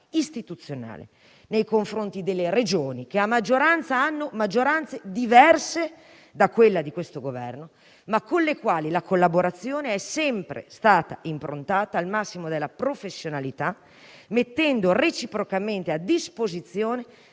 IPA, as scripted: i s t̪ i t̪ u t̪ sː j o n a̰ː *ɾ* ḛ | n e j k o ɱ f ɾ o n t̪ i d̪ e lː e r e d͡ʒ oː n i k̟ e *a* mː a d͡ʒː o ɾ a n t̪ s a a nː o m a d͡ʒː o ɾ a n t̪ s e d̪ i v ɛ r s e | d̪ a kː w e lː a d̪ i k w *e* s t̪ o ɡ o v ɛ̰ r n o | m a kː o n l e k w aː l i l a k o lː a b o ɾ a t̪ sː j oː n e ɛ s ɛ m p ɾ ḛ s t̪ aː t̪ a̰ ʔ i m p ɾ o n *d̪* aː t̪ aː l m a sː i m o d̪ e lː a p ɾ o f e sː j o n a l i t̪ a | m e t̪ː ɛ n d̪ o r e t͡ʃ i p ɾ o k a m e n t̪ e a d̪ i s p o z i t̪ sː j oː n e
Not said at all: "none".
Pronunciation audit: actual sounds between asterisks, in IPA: l, a, e, t̪

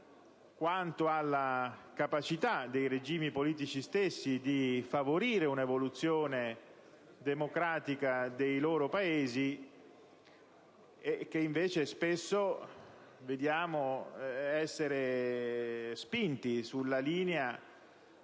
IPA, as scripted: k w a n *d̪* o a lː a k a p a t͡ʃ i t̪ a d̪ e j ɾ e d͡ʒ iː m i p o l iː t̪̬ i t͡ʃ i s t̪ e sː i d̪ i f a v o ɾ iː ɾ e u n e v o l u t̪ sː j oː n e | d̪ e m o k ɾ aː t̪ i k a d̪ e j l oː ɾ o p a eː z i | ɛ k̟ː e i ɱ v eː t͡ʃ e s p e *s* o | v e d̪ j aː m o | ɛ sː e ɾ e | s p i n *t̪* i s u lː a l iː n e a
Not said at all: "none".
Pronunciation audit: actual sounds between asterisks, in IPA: t̪, sː, t̪

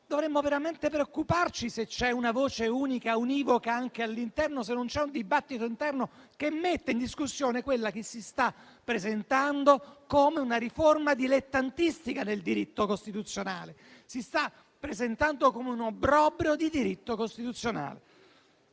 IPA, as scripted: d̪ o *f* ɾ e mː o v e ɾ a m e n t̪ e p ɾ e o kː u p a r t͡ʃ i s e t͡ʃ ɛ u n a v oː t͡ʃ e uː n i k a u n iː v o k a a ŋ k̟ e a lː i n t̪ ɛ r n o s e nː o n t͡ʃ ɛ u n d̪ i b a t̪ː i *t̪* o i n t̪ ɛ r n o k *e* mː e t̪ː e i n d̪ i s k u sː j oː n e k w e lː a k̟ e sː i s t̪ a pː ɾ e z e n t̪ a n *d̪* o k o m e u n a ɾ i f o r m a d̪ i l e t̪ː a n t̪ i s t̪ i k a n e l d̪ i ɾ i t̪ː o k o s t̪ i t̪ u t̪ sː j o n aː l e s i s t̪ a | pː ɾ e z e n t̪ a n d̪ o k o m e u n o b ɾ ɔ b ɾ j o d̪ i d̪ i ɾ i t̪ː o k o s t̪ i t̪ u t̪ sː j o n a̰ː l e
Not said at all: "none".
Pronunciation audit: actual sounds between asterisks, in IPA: v, t̪, e, d̪

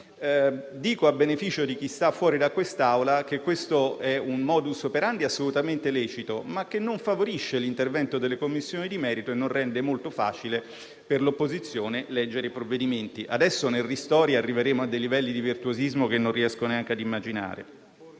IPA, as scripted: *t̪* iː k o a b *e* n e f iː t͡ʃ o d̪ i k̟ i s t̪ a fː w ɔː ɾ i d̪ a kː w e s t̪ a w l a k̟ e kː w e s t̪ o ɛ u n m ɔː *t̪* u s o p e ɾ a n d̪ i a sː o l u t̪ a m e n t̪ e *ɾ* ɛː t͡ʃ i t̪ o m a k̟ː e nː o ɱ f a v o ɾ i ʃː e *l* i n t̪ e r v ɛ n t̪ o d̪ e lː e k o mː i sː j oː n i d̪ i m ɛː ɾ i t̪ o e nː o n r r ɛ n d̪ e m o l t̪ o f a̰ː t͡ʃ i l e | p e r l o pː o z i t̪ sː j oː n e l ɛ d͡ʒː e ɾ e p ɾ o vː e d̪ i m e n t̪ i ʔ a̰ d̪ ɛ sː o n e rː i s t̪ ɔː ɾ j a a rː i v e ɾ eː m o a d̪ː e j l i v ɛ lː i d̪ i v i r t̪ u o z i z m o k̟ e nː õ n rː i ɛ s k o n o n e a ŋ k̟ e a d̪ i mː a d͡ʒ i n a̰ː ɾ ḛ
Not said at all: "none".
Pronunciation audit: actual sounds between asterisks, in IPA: d̪, e, d̪, l, l

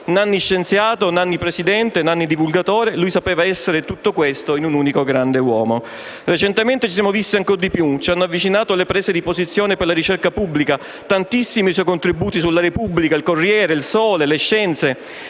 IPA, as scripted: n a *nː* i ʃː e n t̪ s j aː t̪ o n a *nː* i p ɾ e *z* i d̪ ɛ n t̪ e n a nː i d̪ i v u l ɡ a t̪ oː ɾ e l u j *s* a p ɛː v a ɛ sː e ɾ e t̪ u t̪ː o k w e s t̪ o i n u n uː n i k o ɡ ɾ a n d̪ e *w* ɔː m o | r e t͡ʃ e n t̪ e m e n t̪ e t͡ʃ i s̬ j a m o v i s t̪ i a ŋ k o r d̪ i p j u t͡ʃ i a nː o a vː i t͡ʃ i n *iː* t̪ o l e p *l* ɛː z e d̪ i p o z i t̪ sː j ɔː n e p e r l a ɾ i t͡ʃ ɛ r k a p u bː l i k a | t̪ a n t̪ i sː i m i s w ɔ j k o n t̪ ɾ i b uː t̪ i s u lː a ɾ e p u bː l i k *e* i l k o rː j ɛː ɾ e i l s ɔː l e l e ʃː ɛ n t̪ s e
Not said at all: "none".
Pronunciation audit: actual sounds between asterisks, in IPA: nː, nː, s, s, w, aː, ɾ, a

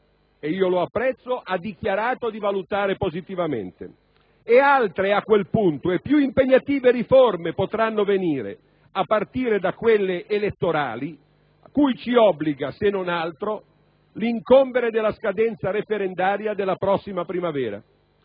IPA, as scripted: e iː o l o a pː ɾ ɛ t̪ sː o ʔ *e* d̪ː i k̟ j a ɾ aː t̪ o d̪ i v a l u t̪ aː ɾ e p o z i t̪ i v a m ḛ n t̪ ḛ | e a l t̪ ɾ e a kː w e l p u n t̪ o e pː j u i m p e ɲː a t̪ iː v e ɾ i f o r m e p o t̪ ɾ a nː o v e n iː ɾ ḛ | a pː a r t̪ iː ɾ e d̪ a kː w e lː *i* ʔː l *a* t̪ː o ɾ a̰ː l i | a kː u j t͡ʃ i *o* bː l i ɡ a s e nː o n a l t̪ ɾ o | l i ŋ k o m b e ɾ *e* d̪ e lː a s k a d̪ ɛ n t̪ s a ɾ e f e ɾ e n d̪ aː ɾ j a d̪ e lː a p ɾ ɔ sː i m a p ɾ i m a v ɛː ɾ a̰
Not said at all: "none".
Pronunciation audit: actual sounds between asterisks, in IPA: a, e, e, ɔ, e

